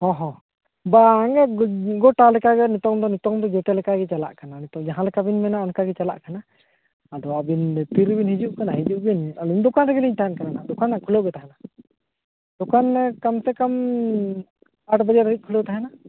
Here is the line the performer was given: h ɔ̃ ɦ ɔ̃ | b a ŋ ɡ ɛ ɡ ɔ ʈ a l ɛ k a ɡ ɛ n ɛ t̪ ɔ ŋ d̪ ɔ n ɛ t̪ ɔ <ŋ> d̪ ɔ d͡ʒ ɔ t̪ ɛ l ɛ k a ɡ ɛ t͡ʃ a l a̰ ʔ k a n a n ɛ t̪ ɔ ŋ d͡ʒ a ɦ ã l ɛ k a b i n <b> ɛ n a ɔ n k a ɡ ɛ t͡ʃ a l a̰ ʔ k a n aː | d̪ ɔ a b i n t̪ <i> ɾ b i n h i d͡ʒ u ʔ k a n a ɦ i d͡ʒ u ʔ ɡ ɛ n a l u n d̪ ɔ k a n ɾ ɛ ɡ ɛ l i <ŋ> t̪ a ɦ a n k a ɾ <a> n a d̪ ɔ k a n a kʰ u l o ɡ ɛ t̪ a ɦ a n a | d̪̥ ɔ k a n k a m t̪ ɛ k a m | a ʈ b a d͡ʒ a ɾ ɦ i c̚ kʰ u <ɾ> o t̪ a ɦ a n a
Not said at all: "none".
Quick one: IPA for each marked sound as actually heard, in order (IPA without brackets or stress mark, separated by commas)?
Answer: ŋ, m, i, ɲ, a, l